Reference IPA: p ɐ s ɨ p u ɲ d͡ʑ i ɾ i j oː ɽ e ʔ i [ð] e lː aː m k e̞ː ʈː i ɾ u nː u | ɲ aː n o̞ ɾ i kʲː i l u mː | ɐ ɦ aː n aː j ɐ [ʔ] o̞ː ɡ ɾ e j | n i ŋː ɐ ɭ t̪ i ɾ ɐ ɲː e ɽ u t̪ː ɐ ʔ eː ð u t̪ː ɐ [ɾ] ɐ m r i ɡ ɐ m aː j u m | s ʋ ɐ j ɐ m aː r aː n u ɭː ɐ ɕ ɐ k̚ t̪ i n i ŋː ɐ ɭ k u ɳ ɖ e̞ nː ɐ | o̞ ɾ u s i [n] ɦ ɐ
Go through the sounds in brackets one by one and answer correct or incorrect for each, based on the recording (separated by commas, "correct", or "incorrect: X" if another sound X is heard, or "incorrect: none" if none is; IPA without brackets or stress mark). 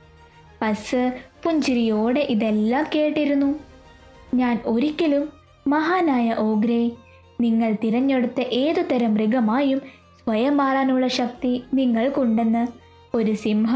correct, correct, correct, incorrect: m